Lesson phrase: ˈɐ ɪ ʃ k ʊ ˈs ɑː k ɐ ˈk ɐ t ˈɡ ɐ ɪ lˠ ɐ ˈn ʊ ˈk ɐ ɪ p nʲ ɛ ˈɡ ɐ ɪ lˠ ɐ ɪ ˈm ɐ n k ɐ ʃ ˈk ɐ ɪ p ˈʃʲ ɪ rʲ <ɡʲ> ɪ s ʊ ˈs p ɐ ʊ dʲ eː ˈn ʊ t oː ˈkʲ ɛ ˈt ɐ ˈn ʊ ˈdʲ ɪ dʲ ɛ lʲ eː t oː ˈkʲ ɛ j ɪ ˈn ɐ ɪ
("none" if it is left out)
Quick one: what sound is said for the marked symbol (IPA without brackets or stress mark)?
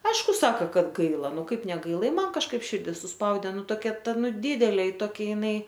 dʲ